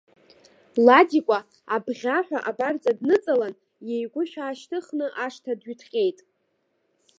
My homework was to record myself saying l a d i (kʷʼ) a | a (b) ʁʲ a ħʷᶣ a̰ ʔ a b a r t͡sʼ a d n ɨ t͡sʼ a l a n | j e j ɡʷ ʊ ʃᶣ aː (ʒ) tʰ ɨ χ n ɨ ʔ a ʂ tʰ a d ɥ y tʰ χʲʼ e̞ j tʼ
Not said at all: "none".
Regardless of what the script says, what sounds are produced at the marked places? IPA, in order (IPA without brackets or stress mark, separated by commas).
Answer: kʷʼ, b, ʃ